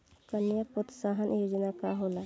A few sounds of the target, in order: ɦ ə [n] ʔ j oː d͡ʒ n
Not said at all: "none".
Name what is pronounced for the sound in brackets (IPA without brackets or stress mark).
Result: n